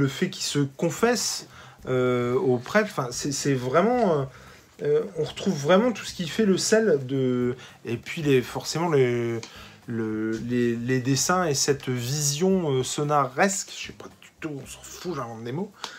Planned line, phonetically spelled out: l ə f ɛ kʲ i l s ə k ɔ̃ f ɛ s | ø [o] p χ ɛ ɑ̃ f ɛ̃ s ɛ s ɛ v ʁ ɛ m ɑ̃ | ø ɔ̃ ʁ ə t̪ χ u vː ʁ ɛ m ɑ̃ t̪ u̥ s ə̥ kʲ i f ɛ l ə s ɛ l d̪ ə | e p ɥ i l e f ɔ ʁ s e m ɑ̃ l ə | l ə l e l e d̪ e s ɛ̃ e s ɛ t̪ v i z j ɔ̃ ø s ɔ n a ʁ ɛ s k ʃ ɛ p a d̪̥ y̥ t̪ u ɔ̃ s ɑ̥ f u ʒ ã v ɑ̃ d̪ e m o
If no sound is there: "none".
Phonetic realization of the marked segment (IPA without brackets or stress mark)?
o